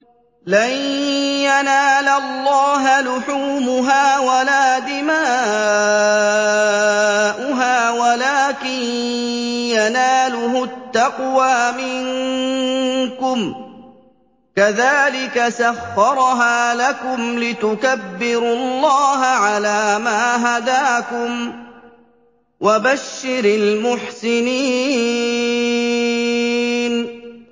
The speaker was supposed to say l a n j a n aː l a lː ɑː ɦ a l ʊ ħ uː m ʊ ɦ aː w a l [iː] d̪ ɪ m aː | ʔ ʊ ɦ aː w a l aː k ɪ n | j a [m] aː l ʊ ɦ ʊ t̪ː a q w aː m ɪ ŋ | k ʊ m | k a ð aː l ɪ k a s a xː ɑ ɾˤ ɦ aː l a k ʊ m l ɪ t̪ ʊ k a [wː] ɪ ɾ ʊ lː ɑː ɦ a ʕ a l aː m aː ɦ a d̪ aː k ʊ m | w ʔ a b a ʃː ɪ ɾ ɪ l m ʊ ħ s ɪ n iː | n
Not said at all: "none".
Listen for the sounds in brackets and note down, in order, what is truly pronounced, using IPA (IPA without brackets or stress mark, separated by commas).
aː, n, bː